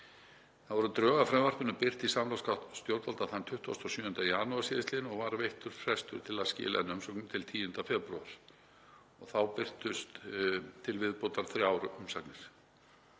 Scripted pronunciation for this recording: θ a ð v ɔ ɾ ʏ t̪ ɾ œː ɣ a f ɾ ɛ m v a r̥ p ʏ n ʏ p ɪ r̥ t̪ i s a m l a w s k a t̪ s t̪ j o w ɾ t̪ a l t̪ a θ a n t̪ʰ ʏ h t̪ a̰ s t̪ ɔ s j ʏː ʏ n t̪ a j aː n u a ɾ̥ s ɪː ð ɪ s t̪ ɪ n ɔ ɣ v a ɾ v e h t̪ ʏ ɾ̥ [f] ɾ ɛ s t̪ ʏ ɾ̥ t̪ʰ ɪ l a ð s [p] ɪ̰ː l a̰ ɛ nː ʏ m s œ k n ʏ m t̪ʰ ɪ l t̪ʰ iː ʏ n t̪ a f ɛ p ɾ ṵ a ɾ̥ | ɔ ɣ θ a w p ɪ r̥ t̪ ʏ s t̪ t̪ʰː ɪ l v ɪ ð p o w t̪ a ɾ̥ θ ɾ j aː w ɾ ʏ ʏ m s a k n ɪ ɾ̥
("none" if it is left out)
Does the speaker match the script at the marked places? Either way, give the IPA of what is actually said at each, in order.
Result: f, c

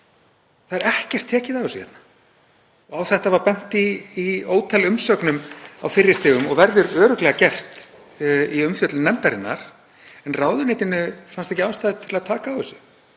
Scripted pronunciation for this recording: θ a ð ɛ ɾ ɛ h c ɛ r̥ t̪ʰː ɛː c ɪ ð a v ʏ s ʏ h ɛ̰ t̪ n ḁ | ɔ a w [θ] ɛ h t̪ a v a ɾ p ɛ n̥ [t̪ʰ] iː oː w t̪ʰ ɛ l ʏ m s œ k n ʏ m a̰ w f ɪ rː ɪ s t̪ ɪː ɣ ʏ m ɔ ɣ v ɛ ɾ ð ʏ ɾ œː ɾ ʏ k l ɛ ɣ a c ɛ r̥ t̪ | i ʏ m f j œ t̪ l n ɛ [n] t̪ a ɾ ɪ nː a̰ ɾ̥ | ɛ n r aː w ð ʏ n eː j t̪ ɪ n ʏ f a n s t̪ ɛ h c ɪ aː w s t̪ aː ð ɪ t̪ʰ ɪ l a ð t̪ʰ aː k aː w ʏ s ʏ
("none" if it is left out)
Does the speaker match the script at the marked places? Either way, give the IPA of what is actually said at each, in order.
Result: θ, t̪, m

